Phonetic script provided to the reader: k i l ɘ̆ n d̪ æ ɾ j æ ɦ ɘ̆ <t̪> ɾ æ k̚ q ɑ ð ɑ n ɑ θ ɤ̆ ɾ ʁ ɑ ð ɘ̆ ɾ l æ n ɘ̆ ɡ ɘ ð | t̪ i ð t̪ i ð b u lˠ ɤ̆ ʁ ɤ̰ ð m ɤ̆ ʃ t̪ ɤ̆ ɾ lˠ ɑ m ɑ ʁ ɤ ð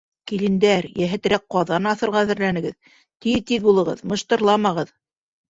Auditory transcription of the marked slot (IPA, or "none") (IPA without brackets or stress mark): t̪